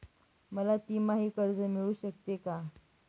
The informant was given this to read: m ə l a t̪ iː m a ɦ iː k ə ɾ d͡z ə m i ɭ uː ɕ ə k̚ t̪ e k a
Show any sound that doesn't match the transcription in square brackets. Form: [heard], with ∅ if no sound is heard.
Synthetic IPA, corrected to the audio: m ə l a t̪ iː m a ɦ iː k ə ɾ d͡z ə m i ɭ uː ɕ ə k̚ t̪ e k a